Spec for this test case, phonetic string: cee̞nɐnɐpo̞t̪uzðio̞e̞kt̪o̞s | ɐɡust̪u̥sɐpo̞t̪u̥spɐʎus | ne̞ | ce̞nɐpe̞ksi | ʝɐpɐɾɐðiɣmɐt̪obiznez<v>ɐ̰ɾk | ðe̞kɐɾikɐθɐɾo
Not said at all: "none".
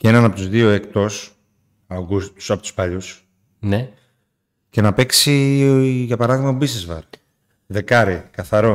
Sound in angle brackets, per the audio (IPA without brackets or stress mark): v